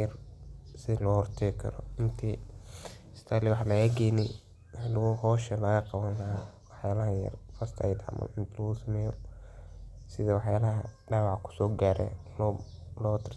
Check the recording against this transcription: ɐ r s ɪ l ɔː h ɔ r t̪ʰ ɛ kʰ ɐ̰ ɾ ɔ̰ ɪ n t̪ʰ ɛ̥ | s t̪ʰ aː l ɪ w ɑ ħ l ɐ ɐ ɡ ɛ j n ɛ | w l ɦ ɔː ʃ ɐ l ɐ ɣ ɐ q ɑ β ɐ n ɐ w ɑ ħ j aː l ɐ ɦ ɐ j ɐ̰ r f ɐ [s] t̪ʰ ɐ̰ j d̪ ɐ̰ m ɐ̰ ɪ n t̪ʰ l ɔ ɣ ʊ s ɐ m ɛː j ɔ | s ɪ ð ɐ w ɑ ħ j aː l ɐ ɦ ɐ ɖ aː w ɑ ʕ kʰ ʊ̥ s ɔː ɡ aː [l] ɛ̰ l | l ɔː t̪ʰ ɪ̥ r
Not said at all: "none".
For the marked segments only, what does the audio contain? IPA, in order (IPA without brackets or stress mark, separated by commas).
s, ɾ